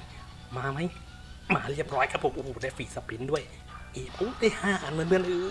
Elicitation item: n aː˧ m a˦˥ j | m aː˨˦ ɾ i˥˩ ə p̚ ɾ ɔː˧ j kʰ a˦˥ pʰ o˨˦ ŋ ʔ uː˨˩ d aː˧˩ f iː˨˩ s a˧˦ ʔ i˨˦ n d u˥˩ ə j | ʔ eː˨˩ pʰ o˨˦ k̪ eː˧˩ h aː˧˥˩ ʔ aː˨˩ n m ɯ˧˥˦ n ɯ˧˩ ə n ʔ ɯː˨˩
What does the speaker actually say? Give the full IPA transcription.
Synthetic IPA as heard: m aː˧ m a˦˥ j | m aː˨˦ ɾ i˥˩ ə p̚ ɾ ɔː˦˥ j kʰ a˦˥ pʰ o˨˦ m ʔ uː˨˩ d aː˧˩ f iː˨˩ s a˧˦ p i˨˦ n d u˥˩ ə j | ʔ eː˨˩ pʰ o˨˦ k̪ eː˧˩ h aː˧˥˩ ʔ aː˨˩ n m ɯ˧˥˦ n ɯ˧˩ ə n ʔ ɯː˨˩

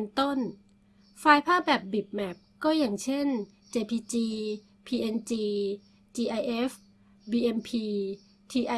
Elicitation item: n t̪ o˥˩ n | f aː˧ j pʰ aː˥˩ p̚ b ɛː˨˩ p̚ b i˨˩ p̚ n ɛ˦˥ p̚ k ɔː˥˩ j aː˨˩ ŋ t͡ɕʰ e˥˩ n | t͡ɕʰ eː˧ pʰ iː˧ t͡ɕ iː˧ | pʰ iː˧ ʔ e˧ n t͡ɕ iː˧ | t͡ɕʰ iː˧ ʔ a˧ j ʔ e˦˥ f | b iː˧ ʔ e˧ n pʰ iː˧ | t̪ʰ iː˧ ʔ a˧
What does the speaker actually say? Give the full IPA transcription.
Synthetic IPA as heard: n t̪ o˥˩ n | f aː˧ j pʰ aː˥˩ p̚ b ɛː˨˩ p̚ b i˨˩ p̚ m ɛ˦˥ p̚ k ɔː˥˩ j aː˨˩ ŋ t͡ɕʰ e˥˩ n | t͡ɕ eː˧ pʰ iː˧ t͡ɕ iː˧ | pʰ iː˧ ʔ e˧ n t͡ɕ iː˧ | t͡ɕ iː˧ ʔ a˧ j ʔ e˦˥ f | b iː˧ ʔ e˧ n pʰ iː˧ | t̪ʰ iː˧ ʔ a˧

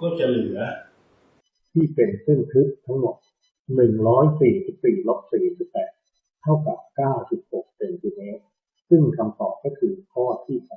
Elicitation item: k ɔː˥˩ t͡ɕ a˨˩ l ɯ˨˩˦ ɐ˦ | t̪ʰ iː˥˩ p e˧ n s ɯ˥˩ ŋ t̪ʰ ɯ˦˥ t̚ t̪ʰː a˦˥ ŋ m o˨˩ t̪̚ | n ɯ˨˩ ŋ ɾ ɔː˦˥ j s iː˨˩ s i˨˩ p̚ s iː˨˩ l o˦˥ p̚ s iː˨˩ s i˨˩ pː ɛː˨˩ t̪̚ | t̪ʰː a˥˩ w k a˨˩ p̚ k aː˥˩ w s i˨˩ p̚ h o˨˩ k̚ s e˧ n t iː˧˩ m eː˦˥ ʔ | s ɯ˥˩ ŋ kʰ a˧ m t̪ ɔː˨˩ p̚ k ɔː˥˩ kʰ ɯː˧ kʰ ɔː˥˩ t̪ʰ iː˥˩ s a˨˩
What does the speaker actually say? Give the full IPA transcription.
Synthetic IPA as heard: k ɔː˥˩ t͡ɕ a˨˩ l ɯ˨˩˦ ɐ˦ | t̪ʰ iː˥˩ p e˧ n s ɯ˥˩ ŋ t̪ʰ ɯ˦˥ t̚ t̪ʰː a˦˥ ŋ m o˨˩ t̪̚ | n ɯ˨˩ ŋ ɾ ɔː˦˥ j s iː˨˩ s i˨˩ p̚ s iː˨˩ l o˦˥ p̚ s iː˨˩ s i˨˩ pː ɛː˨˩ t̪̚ | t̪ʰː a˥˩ w k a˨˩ p̚ k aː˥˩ w s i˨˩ p̚ h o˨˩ k̚ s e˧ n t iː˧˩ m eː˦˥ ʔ | s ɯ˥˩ ŋ kʰ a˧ m t̪ ɔː˨˩ p̚ k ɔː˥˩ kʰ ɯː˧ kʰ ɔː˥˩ t̪ʰ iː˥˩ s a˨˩

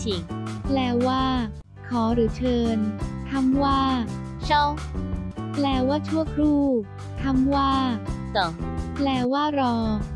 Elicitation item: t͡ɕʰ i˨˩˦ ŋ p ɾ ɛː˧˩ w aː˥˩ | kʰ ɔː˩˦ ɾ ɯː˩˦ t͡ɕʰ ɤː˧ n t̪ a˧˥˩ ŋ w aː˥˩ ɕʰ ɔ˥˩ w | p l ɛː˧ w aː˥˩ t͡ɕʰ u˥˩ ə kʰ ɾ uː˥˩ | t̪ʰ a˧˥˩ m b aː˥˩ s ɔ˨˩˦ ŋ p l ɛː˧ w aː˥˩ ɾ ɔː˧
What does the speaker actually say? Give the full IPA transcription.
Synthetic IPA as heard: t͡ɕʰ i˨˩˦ ŋ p l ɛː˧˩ w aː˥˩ | kʰ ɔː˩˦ ɾ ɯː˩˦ t͡ɕʰ ɤː˧ n t̪ʰ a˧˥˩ m w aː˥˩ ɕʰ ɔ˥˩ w | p l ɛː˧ w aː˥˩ t͡ɕʰ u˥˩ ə kʰ ɾ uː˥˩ | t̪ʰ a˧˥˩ m w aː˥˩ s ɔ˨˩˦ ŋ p l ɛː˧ w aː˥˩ ɾ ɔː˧

